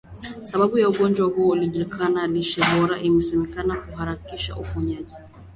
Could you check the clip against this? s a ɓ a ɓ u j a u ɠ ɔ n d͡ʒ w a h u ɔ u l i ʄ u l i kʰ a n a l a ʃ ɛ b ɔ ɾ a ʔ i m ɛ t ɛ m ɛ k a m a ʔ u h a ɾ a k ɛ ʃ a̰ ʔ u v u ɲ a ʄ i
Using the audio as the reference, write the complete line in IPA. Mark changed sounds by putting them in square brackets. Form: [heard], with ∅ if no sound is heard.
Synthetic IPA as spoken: s a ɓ a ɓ u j a u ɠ ɔ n d͡ʒ w a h u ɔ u l i ʄ u l i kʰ a n a l [i] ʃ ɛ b ɔ ɾ a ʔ i m ɛ [s] ɛ m ɛ k a [n] a [k] u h a ɾ a k [i] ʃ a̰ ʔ u [f] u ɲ a ʄ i